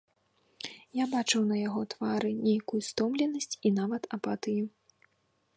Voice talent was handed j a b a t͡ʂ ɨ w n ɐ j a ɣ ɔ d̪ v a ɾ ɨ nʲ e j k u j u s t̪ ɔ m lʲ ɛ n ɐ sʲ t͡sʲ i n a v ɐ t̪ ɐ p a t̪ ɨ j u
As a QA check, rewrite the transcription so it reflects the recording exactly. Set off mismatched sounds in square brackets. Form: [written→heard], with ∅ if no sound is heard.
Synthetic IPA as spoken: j a b a t͡ʂ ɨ w n ɐ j a ɣ ɔ [d̪→t̪] v a ɾ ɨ nʲ e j k u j u s t̪ ɔ m lʲ ɛ n ɐ sʲ t͡sʲ i n a v ɐ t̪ ɐ p a t̪ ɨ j u